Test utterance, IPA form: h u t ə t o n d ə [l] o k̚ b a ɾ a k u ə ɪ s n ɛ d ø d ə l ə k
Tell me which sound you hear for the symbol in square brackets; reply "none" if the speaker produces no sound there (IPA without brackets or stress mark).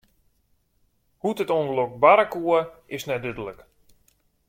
l